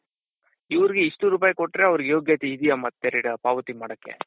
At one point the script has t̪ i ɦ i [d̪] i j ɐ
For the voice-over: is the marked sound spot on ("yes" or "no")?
yes